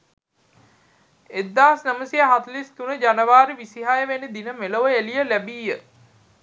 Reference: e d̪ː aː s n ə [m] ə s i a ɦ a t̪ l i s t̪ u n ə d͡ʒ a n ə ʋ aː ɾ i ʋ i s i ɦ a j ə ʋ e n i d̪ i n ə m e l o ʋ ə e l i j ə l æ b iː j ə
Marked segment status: correct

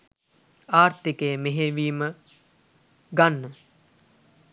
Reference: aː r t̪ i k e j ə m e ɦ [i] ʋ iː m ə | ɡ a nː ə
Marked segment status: incorrect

